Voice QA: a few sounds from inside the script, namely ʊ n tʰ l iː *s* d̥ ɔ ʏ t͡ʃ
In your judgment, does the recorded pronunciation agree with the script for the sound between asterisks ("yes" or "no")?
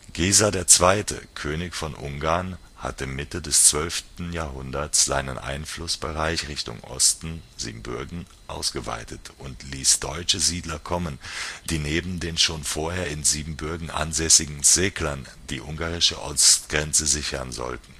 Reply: yes